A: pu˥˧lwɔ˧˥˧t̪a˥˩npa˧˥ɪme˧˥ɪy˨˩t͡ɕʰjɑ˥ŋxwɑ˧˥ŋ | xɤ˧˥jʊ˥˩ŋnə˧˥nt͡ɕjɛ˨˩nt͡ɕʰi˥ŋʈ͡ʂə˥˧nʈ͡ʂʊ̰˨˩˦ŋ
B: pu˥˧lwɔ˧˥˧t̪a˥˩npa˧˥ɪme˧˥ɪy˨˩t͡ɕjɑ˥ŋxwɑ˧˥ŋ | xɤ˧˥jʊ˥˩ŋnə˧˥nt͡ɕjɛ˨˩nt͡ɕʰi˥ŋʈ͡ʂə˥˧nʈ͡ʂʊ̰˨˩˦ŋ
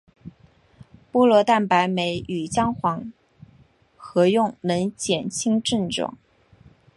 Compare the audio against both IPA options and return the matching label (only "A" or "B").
B